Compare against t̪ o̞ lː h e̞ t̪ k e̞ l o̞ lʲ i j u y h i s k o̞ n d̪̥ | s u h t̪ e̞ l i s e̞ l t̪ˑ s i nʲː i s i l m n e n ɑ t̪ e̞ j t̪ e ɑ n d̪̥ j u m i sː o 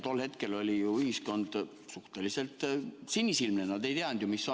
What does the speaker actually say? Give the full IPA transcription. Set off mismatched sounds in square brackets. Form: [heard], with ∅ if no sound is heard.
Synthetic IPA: t̪ o̞ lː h e̞ t̪ k e̞ l o̞ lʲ i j u y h i s k o̞ n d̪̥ | s u h t̪ e̞ l i s e̞ l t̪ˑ s i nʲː i s i l m n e n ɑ [d̪] e̞ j t̪ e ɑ n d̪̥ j u m i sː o